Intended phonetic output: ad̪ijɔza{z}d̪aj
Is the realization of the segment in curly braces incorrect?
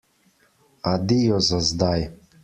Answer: no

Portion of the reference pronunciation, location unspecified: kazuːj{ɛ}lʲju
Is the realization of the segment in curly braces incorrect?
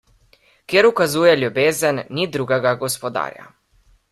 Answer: no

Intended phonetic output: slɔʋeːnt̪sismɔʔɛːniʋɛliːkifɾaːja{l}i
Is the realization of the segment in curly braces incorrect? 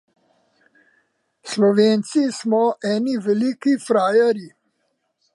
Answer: yes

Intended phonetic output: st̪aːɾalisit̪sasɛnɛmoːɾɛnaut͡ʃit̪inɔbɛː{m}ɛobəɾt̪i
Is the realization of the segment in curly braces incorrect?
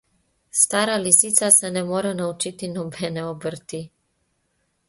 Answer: yes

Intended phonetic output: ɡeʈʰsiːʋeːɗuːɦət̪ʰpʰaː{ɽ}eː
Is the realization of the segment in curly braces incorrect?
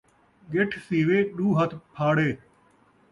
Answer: no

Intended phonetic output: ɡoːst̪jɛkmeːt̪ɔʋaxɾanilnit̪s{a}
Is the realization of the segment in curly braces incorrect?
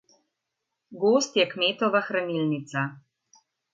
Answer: no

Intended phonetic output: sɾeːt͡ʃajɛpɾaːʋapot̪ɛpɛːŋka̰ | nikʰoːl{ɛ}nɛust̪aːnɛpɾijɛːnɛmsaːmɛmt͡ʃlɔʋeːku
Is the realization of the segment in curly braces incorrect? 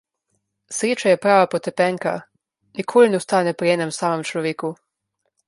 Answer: yes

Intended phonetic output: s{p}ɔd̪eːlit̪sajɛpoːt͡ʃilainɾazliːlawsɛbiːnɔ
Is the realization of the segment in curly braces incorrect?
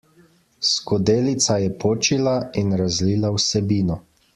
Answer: yes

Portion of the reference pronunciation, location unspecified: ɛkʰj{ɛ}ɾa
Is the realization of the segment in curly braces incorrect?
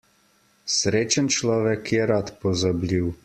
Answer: no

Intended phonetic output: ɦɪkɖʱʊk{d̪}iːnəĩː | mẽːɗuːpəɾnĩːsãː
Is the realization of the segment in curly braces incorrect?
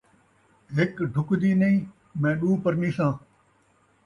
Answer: no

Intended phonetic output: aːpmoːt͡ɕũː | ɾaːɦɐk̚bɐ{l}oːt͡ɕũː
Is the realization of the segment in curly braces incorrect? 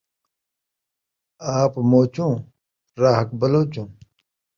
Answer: no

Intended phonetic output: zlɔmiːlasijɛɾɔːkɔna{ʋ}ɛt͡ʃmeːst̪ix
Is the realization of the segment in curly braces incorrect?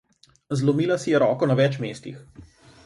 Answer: no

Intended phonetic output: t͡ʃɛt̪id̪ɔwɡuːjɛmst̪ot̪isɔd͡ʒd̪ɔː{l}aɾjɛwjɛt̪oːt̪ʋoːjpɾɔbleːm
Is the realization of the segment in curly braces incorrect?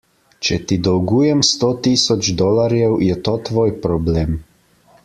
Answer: no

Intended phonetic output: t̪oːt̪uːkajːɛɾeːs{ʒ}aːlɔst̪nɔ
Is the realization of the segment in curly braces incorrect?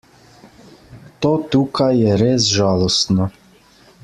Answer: no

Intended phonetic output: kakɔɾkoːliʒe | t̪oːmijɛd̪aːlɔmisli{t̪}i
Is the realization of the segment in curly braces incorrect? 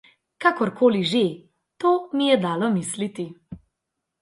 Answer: no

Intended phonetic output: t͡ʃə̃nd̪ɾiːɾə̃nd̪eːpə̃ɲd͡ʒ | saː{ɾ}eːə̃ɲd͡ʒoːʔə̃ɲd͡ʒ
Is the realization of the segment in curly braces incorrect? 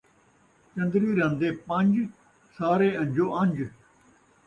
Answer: no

